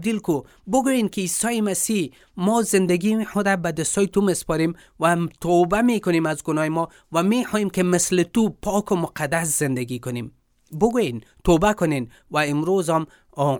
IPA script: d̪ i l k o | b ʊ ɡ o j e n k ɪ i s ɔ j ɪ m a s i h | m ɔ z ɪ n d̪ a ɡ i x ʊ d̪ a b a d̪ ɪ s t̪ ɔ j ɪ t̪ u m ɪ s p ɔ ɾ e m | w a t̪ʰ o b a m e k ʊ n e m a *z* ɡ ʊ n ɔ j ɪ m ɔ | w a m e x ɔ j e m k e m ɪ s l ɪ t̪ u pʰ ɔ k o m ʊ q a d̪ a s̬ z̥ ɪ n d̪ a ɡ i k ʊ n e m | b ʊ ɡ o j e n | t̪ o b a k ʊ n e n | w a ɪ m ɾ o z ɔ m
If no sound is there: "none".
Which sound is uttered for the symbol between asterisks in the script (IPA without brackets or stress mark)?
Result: z